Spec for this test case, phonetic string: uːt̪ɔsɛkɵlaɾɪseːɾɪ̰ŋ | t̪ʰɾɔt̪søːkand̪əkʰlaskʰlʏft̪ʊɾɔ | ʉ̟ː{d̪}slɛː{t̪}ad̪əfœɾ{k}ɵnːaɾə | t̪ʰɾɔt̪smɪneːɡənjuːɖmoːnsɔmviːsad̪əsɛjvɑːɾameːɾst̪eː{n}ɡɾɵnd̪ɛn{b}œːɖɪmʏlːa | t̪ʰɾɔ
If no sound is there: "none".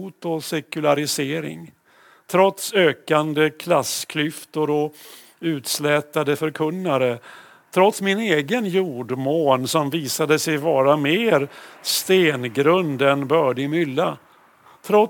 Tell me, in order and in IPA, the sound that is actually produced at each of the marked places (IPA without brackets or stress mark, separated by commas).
t̪, t̪, kʰ, n, b